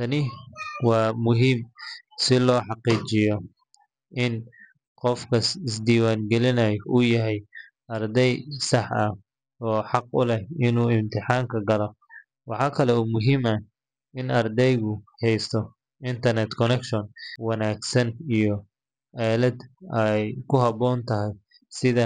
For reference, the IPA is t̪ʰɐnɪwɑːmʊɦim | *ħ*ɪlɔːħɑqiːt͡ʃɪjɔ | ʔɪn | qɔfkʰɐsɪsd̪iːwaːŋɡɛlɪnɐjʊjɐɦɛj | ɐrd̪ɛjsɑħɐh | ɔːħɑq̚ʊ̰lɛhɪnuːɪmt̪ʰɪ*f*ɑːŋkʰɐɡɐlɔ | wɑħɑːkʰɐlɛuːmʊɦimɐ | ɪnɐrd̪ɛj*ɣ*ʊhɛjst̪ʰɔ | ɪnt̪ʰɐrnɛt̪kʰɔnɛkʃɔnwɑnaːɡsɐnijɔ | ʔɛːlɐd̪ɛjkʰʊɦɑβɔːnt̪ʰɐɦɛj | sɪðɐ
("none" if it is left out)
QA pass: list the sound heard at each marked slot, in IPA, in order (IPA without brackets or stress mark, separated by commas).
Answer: s, ħ, ɣ